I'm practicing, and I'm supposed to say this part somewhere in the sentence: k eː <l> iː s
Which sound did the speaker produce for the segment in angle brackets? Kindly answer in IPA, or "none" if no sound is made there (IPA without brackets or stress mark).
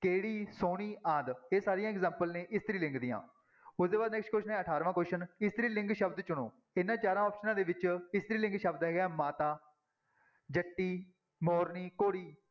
ɽ